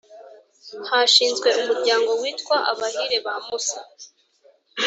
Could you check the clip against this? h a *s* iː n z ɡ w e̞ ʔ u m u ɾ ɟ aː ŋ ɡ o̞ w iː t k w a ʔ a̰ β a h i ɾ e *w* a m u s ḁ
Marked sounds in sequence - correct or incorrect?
incorrect, incorrect

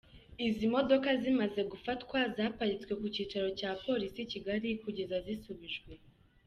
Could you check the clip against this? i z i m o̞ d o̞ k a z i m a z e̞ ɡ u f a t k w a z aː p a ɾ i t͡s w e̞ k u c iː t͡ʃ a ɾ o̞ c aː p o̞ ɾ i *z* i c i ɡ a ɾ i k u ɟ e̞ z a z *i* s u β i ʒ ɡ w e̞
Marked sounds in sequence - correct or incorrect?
incorrect, correct

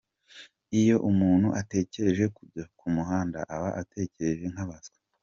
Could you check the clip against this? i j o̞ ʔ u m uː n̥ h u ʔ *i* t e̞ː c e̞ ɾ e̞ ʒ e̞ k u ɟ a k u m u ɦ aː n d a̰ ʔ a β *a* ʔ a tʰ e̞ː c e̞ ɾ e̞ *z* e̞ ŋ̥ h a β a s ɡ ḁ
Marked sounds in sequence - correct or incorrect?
incorrect, correct, incorrect

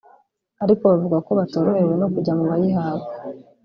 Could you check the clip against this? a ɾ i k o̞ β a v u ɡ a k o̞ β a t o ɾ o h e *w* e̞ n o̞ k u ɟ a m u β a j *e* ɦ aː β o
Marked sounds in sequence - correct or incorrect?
correct, incorrect

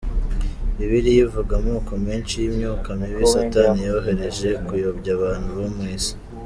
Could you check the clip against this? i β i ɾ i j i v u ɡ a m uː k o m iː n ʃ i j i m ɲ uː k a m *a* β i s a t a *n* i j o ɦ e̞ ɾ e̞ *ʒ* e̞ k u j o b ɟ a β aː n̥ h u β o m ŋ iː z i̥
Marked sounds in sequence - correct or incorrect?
incorrect, correct, correct

